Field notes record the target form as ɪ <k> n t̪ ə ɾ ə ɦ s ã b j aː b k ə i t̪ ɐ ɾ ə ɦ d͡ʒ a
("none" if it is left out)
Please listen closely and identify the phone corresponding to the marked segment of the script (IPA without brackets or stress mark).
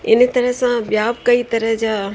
none